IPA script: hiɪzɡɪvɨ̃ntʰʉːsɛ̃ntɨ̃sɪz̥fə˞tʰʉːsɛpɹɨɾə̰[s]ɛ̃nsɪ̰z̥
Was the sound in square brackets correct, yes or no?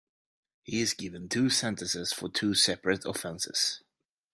no